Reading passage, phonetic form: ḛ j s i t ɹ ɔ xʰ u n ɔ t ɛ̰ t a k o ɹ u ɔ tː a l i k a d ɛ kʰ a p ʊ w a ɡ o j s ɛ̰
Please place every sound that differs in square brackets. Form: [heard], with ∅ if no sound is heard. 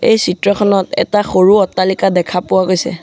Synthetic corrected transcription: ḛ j s i t ɹ ɔ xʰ [ɔ] n ɔ t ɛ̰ t a [x] o ɹ u ɔ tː a l i k a d ɛ kʰ a p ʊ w a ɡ o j s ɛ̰